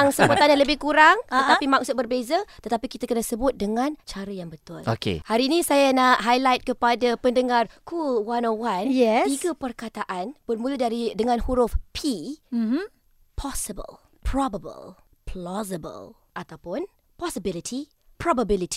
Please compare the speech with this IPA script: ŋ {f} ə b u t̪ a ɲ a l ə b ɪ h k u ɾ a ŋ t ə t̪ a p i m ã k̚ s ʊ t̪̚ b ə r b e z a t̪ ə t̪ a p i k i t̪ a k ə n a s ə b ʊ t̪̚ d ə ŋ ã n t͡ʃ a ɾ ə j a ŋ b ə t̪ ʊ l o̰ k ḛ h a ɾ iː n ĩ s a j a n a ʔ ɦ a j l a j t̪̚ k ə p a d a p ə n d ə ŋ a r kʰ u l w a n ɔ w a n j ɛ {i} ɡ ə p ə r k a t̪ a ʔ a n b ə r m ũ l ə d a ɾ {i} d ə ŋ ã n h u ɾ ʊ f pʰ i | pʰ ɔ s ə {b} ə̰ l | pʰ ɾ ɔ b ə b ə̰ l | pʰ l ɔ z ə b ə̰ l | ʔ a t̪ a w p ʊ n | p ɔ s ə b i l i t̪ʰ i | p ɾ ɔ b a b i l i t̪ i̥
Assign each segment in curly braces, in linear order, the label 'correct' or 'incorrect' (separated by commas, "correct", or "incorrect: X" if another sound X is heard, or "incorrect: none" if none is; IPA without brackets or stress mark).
incorrect: s, correct, correct, correct